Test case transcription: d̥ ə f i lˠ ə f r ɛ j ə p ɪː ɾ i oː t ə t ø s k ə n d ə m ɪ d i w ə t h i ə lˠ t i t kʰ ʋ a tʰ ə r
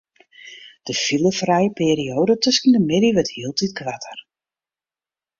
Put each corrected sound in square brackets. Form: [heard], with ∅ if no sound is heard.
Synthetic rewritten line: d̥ ə f i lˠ ə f r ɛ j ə p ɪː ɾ i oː [d] ə t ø s k ə n d ə m ɪ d i [ʋ] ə t h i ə lˠ t i t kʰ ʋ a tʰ ə r